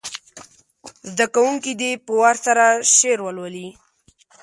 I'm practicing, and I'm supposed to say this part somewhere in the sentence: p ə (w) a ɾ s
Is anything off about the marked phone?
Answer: no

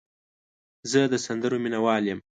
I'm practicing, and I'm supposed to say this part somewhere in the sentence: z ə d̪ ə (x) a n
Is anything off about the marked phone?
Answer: yes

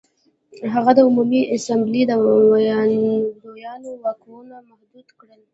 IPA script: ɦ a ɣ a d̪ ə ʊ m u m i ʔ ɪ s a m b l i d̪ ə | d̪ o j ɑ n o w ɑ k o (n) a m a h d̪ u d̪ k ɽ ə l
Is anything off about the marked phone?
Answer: no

